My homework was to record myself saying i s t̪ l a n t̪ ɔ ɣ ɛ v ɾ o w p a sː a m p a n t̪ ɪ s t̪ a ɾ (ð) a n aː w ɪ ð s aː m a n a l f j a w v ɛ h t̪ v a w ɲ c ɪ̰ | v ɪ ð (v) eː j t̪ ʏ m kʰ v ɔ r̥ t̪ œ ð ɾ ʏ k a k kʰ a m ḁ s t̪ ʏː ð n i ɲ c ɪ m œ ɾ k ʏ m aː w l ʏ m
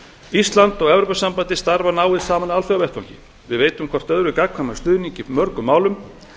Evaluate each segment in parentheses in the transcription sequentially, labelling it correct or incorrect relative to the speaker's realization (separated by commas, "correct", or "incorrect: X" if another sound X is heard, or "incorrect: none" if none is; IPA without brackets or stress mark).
incorrect: v, correct